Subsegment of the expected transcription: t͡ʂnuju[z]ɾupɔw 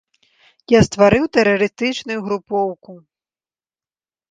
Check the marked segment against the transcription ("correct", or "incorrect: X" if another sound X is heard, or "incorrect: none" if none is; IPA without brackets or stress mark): incorrect: ɣ